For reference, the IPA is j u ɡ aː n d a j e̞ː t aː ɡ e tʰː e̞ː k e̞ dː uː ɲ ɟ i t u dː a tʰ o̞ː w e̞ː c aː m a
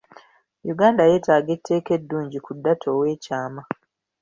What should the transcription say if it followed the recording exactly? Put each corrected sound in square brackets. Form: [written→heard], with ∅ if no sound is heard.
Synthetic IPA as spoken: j u ɡ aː n d a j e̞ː t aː ɡ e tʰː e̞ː k e̞ dː uː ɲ ɟ i [t→k] u dː a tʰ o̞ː w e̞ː c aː m a